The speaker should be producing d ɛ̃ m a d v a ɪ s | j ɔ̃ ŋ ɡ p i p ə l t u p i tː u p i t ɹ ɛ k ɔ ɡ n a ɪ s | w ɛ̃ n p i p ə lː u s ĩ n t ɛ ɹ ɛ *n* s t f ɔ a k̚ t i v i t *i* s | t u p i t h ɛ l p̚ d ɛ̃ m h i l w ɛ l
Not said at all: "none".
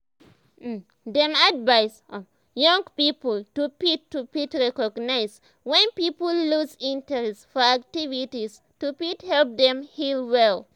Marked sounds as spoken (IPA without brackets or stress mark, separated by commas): none, i